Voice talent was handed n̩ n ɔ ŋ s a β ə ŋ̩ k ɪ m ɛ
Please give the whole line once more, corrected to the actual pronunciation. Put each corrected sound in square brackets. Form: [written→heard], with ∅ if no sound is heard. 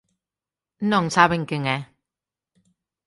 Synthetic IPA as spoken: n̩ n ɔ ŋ s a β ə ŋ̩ k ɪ [m→ŋ] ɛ